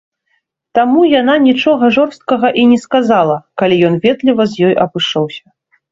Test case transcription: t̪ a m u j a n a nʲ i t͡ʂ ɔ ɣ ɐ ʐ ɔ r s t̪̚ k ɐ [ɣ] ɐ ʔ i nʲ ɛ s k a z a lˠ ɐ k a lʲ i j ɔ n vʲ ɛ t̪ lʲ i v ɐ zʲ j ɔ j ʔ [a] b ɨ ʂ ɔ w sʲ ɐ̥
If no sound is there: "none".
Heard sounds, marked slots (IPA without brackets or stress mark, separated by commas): ɣ, ɐ